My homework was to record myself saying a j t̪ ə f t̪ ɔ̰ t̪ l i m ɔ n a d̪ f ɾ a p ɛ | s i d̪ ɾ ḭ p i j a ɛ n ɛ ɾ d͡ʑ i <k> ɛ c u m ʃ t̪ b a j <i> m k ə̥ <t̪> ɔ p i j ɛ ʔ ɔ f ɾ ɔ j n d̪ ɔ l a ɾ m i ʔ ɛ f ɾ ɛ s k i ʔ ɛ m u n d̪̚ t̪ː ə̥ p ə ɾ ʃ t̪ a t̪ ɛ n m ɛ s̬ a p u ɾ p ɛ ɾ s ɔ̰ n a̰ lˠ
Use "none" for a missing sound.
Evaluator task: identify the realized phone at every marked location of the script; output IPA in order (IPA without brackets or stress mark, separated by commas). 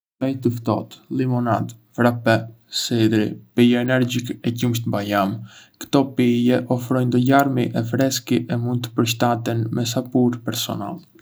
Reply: k, a, t̪